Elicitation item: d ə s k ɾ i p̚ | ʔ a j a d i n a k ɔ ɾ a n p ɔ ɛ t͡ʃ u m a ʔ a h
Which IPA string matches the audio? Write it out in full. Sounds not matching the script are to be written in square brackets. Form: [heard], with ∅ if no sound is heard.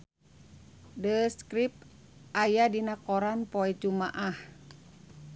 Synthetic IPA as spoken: d ə s k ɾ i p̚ | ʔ a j a d i n a k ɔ ɾ a n p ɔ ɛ t͡ʃ u m a ʔ a h